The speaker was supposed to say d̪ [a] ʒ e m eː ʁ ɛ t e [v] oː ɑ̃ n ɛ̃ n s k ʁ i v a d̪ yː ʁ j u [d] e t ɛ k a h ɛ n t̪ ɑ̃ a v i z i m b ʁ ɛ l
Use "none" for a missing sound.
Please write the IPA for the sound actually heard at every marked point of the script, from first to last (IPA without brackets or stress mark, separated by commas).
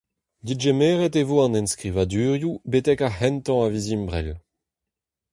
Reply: i, v, b